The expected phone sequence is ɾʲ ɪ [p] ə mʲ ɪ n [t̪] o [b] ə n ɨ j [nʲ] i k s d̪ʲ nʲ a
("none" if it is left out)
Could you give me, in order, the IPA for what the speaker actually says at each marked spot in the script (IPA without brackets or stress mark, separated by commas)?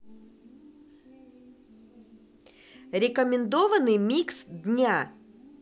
k, d̪, v, mʲ